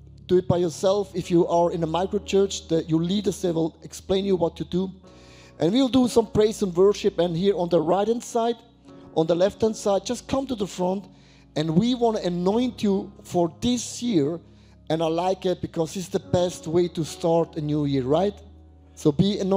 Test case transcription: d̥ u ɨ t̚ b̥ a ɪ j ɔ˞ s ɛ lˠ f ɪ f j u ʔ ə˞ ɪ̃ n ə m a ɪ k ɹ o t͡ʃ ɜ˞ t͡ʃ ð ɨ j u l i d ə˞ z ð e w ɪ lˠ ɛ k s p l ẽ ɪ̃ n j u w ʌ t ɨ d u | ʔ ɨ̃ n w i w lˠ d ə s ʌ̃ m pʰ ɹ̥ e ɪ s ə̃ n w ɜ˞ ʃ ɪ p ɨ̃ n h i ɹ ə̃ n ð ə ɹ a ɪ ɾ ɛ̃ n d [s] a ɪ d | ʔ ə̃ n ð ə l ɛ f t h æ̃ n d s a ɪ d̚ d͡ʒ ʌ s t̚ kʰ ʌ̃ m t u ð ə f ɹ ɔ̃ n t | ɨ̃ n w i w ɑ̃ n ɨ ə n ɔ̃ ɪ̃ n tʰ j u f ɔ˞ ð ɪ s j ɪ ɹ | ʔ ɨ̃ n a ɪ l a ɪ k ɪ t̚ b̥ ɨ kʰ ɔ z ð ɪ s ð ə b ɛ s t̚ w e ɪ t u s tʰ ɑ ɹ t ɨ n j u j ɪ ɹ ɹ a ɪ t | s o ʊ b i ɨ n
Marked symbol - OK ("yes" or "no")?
yes